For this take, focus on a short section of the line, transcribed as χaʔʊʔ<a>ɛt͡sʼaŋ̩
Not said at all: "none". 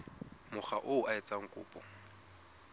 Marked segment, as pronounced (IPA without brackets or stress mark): a